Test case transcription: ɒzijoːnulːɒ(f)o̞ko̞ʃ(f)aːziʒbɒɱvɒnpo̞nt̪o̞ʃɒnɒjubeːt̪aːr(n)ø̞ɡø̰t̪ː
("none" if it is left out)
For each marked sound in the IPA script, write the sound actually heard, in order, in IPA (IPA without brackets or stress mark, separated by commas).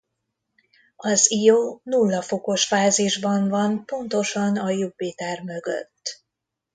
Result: f, f, m